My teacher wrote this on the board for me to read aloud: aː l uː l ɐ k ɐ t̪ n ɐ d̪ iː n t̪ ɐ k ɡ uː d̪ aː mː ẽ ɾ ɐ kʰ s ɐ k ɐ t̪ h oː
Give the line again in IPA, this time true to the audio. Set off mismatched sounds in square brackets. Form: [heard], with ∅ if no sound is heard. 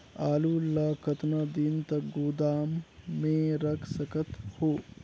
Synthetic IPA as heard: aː l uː l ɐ k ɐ t̪ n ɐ d̪ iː n t̪ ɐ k ɡ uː d̪ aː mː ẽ ɾ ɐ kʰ s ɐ k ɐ t̪ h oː